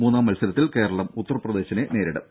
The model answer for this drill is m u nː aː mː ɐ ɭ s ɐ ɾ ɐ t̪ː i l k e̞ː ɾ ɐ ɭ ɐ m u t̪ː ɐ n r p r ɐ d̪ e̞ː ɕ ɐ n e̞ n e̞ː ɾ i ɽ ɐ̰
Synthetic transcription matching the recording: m uː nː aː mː ɐ l s ɐ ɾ ɐ t̪ː i l k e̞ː ɾ ɐ ɭ ɐ m u t̪ː ɐ r p r ɐ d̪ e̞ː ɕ ɐ n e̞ n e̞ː ɾ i ɽ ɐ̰